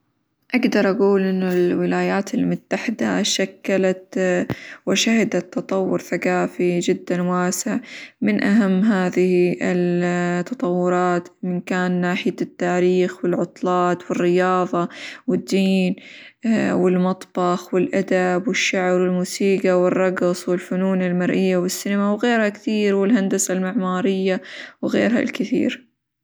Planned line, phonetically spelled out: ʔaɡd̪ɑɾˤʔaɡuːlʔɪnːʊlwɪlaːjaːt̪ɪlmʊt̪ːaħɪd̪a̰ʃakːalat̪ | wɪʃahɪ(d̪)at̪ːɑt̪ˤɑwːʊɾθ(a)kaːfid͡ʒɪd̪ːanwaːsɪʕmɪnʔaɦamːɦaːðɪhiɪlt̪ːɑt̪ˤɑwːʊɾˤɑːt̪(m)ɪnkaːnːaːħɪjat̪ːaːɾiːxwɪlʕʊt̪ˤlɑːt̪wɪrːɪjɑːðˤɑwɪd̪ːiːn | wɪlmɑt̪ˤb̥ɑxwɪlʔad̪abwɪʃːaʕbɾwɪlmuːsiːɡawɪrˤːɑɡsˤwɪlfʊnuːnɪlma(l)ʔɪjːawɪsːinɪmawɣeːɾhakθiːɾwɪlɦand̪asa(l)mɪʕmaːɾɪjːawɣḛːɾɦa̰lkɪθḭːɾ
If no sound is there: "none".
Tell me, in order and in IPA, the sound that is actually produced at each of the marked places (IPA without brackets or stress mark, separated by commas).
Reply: d̪, a, m, ɾ, l